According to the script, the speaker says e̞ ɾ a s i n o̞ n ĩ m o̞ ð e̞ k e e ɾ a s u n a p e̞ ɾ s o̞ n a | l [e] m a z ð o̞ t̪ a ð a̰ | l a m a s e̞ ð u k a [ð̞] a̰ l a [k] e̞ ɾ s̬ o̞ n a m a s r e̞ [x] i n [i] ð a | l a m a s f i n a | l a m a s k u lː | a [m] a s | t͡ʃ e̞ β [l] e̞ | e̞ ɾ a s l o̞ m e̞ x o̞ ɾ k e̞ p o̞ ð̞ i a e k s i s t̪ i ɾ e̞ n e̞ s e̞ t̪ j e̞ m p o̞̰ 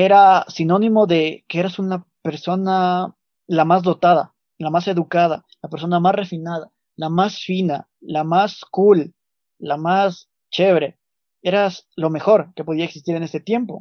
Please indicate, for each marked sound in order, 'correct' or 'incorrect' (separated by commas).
incorrect, correct, incorrect, incorrect, incorrect, correct, incorrect